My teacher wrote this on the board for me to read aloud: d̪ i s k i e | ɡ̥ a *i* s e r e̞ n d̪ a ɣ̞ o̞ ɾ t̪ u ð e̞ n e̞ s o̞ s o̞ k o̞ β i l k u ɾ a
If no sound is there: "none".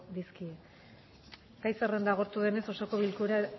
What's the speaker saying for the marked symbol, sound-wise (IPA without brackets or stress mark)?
j